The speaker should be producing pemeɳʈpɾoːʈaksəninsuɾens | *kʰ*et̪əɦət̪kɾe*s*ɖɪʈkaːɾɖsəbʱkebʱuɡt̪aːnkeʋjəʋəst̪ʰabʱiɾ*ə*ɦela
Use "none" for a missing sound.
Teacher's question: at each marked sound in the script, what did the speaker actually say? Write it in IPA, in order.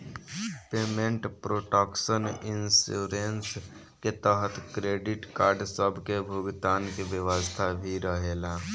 k, none, ə

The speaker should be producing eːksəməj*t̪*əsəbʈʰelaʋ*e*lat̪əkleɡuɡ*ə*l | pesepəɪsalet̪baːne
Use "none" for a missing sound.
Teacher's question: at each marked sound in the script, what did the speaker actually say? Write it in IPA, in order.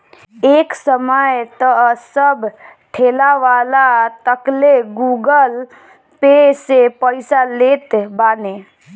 t̪, a, ə

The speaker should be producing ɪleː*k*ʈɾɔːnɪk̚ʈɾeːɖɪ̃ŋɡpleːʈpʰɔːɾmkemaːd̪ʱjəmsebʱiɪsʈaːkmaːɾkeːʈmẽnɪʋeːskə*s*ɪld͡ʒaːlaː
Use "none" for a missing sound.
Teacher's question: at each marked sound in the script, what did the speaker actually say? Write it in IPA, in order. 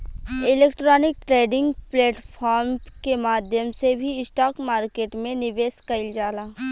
k, none

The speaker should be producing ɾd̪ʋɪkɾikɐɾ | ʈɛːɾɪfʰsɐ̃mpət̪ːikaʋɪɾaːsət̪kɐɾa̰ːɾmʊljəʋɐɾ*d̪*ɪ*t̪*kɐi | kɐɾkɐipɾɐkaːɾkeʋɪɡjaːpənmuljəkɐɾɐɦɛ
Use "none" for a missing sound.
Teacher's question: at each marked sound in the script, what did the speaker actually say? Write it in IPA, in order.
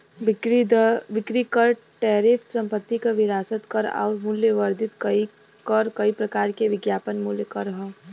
d̪, t̪

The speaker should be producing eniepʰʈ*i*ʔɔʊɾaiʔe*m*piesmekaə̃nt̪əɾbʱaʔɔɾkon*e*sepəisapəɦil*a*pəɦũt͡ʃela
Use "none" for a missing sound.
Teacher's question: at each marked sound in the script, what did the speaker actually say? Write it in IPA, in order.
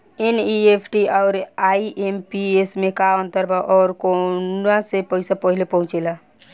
i, m, a, e

